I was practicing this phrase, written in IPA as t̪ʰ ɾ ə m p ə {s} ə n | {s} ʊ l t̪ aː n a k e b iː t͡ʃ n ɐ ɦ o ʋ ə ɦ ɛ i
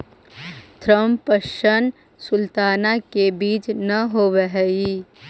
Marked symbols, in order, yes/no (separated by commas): no, yes